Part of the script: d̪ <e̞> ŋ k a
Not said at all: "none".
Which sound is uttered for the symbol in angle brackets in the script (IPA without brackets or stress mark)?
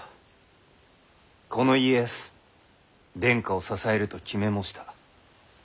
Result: ẽ̞